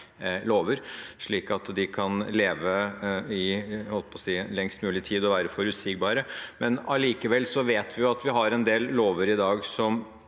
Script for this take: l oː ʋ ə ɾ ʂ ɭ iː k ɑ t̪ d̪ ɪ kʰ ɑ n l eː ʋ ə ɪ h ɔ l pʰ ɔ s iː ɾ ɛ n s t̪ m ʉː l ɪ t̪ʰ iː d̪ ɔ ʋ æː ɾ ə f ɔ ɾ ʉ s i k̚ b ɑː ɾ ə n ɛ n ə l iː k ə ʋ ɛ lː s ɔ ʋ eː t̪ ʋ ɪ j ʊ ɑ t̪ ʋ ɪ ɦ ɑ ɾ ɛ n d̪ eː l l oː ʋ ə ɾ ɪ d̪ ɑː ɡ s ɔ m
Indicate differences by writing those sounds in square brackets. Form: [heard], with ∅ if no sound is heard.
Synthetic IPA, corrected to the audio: l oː ʋ ə ɾ ʂ ɭ iː k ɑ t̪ d̪ ɪ kʰ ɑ n l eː ʋ ə ɪ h ɔ l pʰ ɔ s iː [l] ɛ [ŋ] s t̪ m ʉː l ɪ t̪ʰ iː d̪ ɔ ʋ æː ɾ ə f ɔ ɾ ʉ s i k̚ b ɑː ɾ ə [m] ɛ n [ɑ] l iː k ə ʋ ɛ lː s ɔ ʋ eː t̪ ʋ ɪ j ʊ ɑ t̪ ʋ ɪ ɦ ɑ ɾ ɛ n d̪ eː l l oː ʋ ə ɾ ɪ d̪ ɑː ɡ s ɔ m